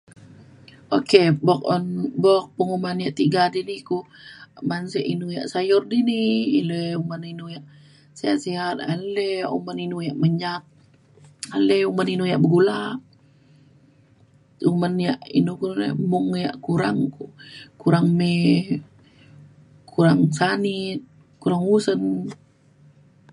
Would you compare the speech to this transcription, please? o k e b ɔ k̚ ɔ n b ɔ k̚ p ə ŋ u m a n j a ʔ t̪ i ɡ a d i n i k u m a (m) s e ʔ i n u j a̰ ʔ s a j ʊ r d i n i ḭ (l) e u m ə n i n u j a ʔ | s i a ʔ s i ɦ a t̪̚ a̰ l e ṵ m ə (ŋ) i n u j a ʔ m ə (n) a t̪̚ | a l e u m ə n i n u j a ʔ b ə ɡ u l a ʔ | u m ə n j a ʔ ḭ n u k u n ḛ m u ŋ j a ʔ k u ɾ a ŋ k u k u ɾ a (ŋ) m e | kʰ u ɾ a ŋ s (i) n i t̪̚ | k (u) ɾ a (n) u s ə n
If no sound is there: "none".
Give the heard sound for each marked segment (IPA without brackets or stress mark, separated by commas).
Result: n, l, n, ɲ, ŋ, a, u, ŋ